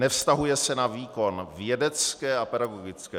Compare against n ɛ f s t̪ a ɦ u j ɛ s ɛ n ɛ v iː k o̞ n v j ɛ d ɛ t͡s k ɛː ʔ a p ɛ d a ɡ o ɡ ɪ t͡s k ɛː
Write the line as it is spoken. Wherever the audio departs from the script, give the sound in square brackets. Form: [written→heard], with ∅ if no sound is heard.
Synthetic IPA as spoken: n ɛ f s t̪ a ɦ u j ɛ s ɛ n [ɛ→a] v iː k o̞ n v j ɛ d ɛ t͡s k ɛː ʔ a p ɛ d a ɡ o ɡ ɪ t͡s k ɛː

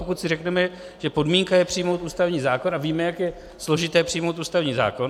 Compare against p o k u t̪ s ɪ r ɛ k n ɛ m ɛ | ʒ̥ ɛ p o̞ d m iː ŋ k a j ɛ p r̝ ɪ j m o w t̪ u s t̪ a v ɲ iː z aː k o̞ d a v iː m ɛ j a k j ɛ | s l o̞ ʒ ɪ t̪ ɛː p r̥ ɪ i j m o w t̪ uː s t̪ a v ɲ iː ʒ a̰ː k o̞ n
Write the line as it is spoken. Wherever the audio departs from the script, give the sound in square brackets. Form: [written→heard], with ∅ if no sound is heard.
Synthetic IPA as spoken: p o k u t̪ s ɪ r ɛ k n ɛ m ɛ | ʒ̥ ɛ p o̞ d m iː ŋ k a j ɛ p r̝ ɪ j m o w t̪ [u→uː] s t̪ a v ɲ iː z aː k o̞ [d→n] a v iː m ɛ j a k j ɛ | s l o̞ ʒ ɪ t̪ ɛː p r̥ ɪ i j m o w t̪ uː s t̪ a v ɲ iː [ʒ→z] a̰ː k o̞ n

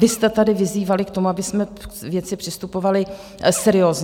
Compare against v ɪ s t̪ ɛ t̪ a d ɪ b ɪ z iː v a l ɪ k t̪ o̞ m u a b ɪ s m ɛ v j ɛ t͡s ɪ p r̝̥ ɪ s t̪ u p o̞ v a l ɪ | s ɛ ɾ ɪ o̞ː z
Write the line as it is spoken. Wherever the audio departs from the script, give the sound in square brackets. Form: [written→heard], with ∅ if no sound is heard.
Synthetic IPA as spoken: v ɪ s t̪ ɛ t̪ a d ɪ [b→v] ɪ z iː v a l ɪ k t̪ o̞ m u a b ɪ s m ɛ v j ɛ t͡s ɪ p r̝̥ ɪ s t̪ u p o̞ v a l ɪ | s ɛ ɾ ɪ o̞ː z

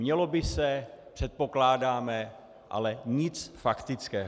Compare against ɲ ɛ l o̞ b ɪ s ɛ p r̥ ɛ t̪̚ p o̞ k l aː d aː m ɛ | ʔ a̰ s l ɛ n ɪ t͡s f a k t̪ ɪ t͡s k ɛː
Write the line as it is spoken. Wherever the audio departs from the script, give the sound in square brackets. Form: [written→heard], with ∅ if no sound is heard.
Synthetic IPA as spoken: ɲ ɛ l o̞ b ɪ s ɛ p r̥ ɛ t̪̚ p o̞ k l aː d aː m ɛ | ʔ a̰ [s→∅] l ɛ [n→ɲ] ɪ t͡s f a k t̪ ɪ t͡s k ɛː

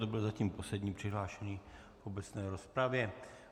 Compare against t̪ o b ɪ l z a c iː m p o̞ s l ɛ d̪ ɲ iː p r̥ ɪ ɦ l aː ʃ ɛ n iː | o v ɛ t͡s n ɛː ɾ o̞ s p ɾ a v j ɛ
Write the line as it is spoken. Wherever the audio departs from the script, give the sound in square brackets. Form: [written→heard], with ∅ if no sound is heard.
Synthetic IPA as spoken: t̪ o b ɪ l z a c iː m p o̞ s l ɛ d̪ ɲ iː p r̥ ɪ ɦ l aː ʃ ɛ [n→ɲ] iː | o [v→b] ɛ t͡s n ɛː ɾ o̞ s p ɾ a v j ɛ

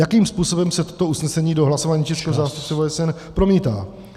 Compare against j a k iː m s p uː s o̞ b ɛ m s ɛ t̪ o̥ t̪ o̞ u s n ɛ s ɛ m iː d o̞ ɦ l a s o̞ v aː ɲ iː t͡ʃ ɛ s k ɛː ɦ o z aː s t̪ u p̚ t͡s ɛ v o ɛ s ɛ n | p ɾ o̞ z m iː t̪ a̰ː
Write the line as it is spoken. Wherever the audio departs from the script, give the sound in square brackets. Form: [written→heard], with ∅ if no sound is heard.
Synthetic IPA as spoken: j a k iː m s p uː s o̞ b ɛ m s ɛ t̪ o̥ t̪ o̞ u s n ɛ s ɛ [m→ɲ] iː d o̞ ɦ l a s o̞ v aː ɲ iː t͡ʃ ɛ s k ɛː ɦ o z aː s t̪ u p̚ t͡s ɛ v o ɛ s ɛ n | p ɾ o̞ [z→∅] m iː t̪ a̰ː

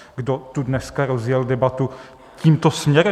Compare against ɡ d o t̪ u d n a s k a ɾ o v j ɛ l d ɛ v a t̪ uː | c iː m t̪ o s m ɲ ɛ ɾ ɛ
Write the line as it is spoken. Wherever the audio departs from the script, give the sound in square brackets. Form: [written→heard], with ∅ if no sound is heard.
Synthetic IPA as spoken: ɡ d o t̪ u d n [a→ɛ] s k a ɾ o [v→z] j ɛ l d ɛ [v→b] a t̪ [uː→u] | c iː m t̪ o s m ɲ ɛ ɾ ɛ

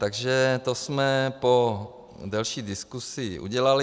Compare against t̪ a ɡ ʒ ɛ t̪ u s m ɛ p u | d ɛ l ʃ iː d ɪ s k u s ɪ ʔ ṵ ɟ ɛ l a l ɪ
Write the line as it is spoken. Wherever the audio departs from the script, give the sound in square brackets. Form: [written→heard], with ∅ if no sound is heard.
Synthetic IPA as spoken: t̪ a ɡ ʒ ɛ t̪ [u→o] s m ɛ p [u→o] | d ɛ l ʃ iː d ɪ s k u s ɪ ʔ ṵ ɟ ɛ l a l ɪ

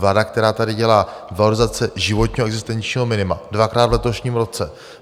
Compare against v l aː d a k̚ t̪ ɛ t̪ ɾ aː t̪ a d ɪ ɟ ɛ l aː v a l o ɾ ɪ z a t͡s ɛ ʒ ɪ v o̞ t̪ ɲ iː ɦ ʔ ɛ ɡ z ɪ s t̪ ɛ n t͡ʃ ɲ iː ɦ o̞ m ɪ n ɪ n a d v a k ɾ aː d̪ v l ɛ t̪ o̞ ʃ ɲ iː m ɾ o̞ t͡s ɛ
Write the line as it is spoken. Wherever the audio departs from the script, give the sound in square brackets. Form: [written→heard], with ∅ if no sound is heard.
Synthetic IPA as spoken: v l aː d a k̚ t̪ ɛ [t̪→∅] ɾ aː t̪ a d ɪ ɟ ɛ l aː v a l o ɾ ɪ z a t͡s ɛ ʒ ɪ v o̞ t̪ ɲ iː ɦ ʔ ɛ ɡ z ɪ s t̪ ɛ n t͡ʃ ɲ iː ɦ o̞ m ɪ n ɪ [n→m] a d v a k ɾ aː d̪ v l ɛ t̪ o̞ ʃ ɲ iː m ɾ o̞ t͡s ɛ

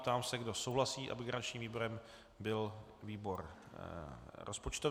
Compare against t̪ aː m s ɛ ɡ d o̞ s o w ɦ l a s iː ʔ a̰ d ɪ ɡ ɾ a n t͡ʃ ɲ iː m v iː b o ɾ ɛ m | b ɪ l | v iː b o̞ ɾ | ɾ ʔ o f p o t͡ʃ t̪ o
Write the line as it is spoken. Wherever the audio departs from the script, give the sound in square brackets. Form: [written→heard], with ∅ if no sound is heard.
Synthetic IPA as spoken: t̪ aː m s ɛ ɡ d o̞ s o w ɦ l a s iː ʔ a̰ [d→b] ɪ ɡ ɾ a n t͡ʃ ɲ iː m v iː b o ɾ ɛ m | b ɪ l | v iː b o̞ ɾ | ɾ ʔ o [f→s] p o t͡ʃ t̪ o

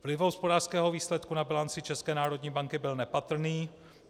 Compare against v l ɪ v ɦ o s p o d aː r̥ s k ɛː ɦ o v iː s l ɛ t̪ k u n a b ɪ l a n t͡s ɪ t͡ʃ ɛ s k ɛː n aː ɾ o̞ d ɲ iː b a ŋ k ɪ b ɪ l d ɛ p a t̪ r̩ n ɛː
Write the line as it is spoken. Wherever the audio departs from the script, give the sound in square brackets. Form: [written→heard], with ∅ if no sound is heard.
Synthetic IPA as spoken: v l ɪ v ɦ o s p o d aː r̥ s k ɛː ɦ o v iː s l ɛ t̪ k u n a b ɪ l a n t͡s ɪ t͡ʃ ɛ s k ɛː n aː ɾ o̞ d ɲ iː b a ŋ k ɪ b ɪ l [d→n] ɛ p a t̪ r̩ n [ɛː→iː]

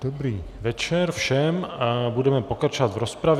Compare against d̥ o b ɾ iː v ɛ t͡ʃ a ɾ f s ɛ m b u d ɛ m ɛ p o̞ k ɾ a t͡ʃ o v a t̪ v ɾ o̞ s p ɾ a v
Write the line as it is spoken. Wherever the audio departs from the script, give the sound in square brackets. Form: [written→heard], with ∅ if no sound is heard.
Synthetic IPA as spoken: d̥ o b ɾ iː v ɛ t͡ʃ [a→ɛ] ɾ f [s→ʃ] ɛ m b u d ɛ m ɛ p o̞ k ɾ a t͡ʃ o v a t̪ v ɾ o̞ s p ɾ a v

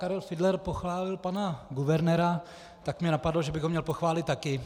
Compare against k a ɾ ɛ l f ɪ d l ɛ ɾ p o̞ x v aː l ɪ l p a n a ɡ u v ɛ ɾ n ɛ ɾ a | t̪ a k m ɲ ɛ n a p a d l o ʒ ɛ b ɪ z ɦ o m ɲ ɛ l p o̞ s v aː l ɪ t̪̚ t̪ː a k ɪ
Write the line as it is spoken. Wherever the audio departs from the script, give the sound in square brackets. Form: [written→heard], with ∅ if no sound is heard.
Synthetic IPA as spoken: k a ɾ ɛ l f ɪ d l ɛ ɾ p o̞ x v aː l ɪ l p a n a ɡ u v ɛ ɾ n ɛ ɾ a | t̪ a k m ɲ ɛ n a p a d l o ʒ ɛ b ɪ [z→ɣ] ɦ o m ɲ ɛ l p o̞ [s→x] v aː l ɪ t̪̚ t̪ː a k ɪ

